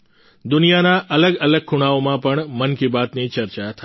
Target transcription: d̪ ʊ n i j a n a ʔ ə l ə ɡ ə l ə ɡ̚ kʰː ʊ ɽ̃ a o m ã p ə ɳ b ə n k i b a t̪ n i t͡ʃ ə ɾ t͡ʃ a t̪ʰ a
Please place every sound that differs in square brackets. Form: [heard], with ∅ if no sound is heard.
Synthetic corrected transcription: d̪ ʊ n i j a n a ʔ ə l ə ɡ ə l ə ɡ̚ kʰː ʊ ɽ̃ a o m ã p ə ɳ [m] ə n k i b a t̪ n i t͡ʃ ə ɾ t͡ʃ a t̪ʰ a